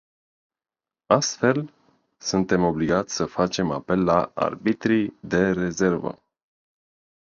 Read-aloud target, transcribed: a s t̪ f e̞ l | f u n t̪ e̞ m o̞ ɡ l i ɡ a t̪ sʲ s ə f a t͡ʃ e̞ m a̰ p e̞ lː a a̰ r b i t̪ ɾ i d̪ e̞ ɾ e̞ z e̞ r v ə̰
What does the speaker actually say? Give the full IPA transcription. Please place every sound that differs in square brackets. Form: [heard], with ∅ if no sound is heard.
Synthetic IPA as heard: a s t̪ f e̞ l | [s] u n t̪ e̞ m o̞ [b] l i ɡ a t̪ sʲ s ə f a t͡ʃ e̞ m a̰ p e̞ lː a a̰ r b i t̪ ɾ i d̪ e̞ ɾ e̞ z e̞ r v ə̰